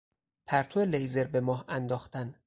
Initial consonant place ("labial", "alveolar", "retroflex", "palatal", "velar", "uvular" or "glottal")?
labial